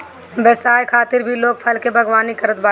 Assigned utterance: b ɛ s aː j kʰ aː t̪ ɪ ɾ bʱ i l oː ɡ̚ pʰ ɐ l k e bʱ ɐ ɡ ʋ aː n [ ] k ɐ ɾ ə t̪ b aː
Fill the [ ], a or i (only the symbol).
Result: i